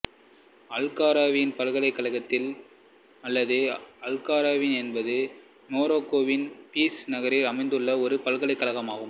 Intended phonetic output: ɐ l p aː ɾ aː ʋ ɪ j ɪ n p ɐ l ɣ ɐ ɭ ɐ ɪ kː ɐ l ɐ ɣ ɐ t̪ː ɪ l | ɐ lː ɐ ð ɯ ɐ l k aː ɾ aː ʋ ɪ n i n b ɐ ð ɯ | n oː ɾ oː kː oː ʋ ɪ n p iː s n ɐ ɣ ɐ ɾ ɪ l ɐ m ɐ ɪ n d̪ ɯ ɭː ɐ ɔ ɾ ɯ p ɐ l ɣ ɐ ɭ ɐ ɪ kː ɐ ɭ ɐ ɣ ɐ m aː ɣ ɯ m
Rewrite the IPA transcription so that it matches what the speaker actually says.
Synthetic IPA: ɐ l k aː ɾ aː ʋ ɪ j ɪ n p ɐ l ɣ ɐ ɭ ɐ ɪ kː ɐ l ɐ ɣ ɐ t̪ː ɪ l | ɐ lː ɐ ð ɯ ɐ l k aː ɾ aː ʋ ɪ n ɛ n b ɐ ð ɯ | n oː ɾ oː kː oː ʋ ɪ n p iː s n ɐ ɣ ɐ ɾ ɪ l ɐ m ɐ ɪ n d̪ ɯ ɭː ɐ ɔ ɾ ɯ p ɐ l ɣ ɐ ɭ ɐ ɪ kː ɐ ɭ ɐ ɣ ɐ m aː ɣ ɯ m